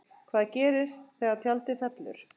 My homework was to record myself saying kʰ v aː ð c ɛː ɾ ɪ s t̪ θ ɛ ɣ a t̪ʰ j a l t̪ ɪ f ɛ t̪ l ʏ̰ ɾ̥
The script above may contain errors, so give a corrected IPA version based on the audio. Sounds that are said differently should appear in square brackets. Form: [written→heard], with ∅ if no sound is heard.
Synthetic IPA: kʰ v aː ð c ɛː ɾ ɪ s t̪ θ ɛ ɣ a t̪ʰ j a l t̪ ɪ f ɛ t̪ l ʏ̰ ɾ̥